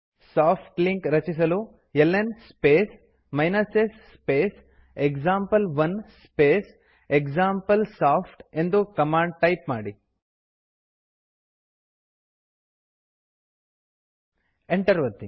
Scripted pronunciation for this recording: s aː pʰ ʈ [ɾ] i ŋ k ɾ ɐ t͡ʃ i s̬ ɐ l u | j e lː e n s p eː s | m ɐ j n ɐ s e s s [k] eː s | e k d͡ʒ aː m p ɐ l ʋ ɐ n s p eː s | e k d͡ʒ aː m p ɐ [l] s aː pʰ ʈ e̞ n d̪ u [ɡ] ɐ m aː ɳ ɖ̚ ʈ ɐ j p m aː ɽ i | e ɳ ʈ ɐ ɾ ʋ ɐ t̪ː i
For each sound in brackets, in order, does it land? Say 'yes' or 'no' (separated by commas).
no, no, yes, no